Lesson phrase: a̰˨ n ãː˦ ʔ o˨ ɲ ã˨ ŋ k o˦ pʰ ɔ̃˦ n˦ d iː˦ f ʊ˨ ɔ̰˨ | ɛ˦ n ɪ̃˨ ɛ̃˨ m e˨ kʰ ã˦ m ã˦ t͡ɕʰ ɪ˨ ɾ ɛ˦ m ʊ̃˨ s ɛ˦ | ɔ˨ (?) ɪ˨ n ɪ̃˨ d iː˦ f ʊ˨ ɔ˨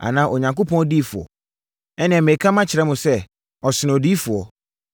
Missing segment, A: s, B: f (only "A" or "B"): A